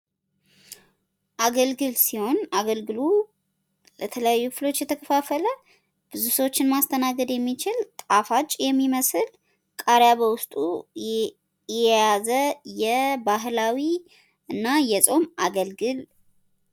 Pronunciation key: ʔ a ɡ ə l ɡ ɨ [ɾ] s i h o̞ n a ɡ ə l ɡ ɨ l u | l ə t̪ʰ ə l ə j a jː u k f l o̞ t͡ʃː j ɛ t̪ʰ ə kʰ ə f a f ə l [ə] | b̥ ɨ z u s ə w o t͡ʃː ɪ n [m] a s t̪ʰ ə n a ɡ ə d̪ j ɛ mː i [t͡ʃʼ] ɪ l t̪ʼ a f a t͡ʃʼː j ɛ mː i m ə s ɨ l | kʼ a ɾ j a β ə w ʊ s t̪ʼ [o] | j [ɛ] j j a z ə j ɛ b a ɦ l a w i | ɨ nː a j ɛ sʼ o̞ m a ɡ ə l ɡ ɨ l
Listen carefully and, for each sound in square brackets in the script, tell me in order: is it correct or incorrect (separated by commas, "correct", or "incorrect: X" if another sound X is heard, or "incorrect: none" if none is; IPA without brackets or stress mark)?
incorrect: l, correct, correct, incorrect: t͡ʃ, incorrect: u, correct